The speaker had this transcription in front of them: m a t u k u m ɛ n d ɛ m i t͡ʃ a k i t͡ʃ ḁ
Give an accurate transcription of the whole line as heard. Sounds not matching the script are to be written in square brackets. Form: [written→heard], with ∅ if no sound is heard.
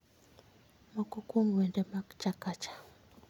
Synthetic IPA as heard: m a [t→k] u k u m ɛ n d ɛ m [i→a] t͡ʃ a k [i→a] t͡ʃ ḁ